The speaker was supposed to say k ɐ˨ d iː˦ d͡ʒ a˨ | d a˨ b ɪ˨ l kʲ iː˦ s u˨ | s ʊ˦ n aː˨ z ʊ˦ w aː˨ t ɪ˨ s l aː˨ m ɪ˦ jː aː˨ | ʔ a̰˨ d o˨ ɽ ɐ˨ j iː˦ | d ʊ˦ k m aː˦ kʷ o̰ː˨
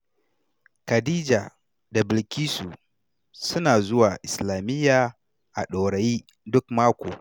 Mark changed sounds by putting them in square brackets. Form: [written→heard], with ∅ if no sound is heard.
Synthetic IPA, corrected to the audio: k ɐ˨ d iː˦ d͡ʒ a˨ | d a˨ b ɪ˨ l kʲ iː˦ s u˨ | s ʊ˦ n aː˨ z ʊ˦ w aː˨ [t→ʔ] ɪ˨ s l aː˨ m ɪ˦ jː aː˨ | ʔ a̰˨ [d→ɗ] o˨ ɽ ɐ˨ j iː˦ | d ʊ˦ k m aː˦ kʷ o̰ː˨